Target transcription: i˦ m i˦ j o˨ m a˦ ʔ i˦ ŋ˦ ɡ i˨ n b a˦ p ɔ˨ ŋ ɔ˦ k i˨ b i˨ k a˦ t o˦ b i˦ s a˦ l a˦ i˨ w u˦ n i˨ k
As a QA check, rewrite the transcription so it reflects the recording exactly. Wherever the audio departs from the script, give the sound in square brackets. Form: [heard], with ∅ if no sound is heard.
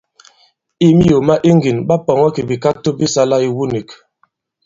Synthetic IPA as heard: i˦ m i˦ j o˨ m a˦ ʔ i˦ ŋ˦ ɡ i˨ n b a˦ p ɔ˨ ŋ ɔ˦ k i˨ b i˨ k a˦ t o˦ b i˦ s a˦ l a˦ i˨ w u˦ n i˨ k